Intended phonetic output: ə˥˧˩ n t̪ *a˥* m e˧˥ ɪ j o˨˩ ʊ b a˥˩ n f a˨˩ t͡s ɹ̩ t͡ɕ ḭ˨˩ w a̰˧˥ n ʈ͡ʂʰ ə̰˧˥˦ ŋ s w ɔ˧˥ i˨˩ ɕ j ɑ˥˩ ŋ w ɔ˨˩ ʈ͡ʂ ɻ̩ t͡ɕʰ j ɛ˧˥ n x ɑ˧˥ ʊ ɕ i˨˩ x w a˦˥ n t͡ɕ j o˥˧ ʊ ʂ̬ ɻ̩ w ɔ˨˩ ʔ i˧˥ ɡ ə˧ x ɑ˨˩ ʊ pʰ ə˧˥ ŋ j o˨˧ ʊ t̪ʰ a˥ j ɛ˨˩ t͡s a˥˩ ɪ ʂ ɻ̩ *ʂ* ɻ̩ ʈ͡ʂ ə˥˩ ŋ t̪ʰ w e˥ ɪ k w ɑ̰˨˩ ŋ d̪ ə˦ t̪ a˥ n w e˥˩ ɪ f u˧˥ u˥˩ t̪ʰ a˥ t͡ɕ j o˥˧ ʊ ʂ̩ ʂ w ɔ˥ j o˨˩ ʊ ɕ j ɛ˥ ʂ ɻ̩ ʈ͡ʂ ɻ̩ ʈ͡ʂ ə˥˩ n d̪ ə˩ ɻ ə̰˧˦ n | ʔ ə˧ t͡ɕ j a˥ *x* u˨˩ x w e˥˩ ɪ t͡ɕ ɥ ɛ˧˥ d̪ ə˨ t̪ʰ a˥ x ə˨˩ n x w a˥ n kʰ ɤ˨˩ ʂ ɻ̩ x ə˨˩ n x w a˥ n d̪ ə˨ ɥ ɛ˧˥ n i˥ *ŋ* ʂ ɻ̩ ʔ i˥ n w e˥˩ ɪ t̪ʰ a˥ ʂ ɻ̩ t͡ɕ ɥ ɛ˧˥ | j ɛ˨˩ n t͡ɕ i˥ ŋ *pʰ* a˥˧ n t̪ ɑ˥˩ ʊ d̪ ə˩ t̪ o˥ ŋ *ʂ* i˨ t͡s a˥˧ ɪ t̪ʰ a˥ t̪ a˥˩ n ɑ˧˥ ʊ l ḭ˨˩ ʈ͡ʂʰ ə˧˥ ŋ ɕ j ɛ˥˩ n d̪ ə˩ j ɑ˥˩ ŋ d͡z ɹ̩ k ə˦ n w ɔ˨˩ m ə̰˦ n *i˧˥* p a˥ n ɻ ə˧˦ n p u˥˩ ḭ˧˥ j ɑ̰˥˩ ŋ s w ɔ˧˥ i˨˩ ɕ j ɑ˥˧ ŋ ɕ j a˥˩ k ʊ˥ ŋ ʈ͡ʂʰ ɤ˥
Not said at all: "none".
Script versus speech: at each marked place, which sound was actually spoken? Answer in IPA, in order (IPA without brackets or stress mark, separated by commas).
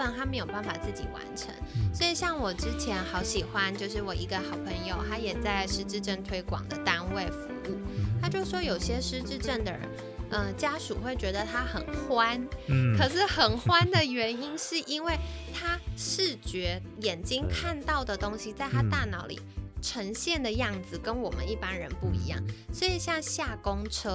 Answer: a˥, ʈ͡ʂ, ʂ, n, kʰ, ɕ, i˥˩